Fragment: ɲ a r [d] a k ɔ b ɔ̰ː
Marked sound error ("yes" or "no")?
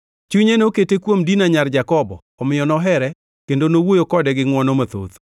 yes